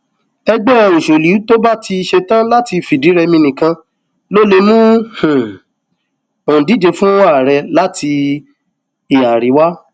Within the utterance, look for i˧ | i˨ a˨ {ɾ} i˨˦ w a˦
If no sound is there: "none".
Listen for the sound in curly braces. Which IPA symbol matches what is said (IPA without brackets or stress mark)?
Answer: ɾ